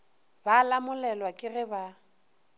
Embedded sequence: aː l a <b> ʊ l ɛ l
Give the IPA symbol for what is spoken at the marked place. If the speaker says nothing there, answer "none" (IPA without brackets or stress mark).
m